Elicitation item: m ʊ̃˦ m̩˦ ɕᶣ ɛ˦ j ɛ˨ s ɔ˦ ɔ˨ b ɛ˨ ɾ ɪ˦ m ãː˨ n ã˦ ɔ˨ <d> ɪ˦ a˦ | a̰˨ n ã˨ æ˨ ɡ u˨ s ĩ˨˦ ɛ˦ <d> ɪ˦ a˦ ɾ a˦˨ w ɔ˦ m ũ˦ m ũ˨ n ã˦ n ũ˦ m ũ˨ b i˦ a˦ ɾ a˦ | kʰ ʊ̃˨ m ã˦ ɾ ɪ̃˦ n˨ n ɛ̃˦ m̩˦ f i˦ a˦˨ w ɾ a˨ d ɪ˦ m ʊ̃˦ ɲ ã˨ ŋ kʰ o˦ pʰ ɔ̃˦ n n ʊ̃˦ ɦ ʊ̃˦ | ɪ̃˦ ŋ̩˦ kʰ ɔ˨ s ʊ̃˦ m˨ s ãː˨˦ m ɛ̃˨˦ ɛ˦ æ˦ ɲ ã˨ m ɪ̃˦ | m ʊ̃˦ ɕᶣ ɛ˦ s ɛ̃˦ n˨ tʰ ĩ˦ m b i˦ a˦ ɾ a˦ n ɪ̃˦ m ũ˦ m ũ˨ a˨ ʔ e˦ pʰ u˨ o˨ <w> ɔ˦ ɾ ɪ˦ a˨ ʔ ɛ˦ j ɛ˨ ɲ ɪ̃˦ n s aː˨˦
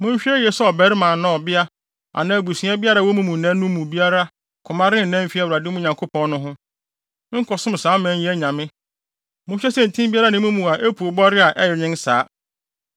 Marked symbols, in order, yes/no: no, no, no

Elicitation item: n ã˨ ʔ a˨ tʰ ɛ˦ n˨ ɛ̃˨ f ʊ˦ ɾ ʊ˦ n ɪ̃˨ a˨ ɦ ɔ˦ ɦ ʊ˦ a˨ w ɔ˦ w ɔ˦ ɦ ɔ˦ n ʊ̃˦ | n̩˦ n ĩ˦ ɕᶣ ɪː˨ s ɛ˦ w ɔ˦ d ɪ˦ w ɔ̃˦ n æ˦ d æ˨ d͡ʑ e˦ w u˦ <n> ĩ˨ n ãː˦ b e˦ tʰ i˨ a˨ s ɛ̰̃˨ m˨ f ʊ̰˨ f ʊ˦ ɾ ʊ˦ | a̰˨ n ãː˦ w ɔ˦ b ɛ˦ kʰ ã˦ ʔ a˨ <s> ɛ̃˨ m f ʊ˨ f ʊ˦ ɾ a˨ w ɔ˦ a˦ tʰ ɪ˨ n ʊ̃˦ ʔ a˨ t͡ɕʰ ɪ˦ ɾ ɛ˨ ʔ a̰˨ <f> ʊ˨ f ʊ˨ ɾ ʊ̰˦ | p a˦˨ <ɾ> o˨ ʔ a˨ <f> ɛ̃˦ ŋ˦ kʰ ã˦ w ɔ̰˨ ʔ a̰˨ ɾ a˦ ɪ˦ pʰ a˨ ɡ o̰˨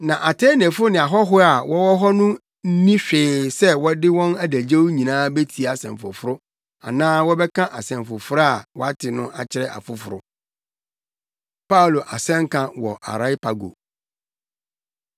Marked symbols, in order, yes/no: no, yes, yes, no, no

